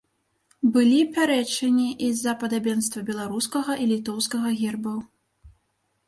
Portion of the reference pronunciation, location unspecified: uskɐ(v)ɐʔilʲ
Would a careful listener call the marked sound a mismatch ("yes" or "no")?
yes